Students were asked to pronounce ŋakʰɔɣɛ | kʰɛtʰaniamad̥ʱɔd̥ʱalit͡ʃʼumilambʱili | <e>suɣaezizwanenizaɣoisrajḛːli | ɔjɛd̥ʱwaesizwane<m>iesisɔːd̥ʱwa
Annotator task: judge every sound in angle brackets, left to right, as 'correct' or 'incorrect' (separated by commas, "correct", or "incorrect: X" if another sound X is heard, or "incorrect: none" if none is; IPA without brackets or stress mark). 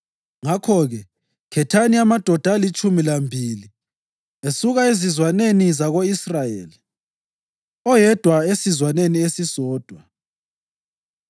correct, incorrect: n